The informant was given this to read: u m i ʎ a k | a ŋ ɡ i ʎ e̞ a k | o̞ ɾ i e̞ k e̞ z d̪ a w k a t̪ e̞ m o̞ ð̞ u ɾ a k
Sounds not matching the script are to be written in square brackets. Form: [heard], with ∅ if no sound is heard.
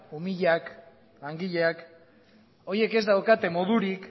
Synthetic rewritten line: u m i ʎ a k | a ŋ ɡ i ʎ e̞ a k | o̞ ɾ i e̞ k e̞ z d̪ a w k a t̪ e̞ m o̞ ð̞ u ɾ [i] k